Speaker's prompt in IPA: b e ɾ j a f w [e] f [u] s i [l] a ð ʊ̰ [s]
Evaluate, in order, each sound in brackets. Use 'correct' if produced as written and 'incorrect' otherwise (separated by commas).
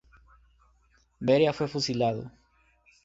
correct, correct, correct, incorrect